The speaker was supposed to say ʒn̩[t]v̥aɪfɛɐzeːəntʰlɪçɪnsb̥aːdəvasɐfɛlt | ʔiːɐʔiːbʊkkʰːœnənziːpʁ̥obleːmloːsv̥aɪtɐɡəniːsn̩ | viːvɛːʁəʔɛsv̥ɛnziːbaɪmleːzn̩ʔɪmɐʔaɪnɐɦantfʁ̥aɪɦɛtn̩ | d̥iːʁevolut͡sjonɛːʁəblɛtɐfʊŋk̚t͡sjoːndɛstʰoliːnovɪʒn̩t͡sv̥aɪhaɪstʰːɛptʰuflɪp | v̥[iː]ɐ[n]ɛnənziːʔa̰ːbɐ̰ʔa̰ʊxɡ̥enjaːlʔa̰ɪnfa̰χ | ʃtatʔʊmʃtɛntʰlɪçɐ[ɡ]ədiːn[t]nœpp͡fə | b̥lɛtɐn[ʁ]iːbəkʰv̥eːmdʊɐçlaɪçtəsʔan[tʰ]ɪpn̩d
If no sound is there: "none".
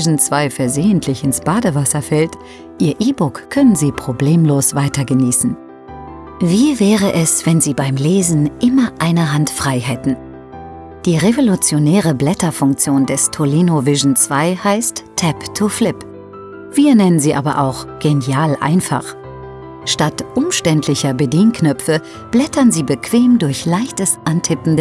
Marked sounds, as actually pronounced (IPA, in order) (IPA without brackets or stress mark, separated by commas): t͡s, iː, n, b, k, z, tʰ